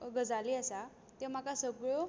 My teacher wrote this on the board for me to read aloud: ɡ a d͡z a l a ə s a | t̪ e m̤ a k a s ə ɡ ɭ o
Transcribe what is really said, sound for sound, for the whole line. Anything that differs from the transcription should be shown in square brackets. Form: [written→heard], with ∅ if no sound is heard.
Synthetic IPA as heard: ɡ [a→ə] d͡z a l [a→i] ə s a | t̪ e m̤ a k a s ə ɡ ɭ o